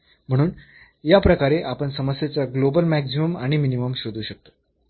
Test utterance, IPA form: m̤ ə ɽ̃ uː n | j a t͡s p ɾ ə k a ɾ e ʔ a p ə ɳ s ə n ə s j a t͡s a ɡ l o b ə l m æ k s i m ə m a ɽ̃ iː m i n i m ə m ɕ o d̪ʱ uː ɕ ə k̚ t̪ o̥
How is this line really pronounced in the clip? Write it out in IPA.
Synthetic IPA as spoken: m̤ ə ɽ̃ uː n | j a p ɾ ə k a ɾ e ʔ a p ə ɳ s ə m ə s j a t͡s a ɡ l o b ə l m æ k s i m ə m a ɽ̃ i m i n i m ə m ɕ o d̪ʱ uː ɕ ə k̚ t̪ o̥